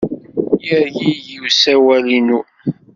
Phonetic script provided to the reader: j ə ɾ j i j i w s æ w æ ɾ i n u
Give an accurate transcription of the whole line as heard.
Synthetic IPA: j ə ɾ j i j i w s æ w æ l i n u

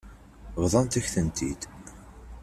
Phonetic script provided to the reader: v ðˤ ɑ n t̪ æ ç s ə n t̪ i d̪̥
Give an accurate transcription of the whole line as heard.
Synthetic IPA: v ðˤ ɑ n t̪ æ ç θ ə n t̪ i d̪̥

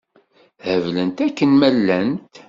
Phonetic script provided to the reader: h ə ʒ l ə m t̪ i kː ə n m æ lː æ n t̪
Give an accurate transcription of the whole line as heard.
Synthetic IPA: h ə v l ə n t̪ æ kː ə n m æ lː æ n t̪

